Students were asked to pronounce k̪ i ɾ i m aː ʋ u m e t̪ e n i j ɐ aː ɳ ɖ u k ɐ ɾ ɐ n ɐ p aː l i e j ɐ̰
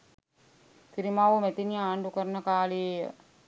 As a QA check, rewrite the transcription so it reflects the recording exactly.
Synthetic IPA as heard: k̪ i ɾ i m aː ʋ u m e t̪ i n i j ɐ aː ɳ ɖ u k ɐ ɾ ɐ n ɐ k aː l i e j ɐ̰